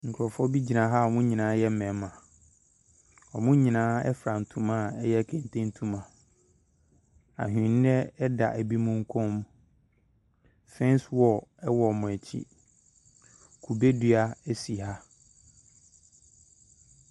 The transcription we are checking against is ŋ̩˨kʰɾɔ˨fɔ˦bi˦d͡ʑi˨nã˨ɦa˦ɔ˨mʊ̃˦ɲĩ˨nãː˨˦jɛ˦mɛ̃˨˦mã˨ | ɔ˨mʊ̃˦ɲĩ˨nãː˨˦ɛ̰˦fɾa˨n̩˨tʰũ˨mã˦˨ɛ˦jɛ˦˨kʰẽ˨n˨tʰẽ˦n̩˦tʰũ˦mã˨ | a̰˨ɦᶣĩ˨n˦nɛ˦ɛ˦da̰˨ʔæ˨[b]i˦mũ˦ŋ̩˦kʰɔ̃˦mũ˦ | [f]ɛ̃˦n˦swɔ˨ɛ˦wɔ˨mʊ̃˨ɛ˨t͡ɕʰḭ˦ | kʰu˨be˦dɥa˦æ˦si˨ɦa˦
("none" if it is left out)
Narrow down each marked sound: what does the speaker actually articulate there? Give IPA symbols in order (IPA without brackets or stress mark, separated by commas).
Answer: b, f